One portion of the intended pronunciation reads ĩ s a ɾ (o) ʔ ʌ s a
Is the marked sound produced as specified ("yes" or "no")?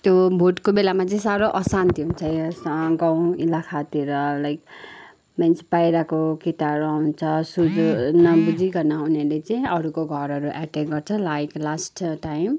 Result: yes